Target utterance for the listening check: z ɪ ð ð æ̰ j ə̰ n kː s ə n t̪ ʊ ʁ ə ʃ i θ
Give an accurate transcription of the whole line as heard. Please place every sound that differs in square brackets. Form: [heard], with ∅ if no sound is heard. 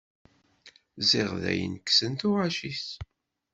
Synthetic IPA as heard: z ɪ [ʁ] ð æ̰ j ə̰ n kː s ə n t̪ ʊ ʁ [a] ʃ i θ